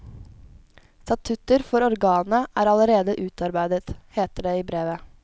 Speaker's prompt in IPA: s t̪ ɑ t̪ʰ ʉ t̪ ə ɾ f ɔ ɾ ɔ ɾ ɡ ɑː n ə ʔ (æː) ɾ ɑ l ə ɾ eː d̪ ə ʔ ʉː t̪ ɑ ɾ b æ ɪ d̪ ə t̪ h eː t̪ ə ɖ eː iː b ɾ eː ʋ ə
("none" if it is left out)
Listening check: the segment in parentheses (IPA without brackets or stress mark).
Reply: æː